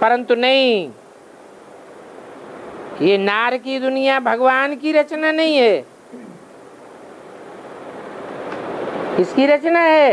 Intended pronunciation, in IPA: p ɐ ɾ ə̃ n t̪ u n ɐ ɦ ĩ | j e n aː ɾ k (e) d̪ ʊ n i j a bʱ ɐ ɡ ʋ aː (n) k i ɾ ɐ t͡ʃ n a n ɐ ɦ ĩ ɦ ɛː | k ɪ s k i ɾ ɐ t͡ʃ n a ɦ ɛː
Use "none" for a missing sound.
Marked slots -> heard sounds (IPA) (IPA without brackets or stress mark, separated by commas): i, n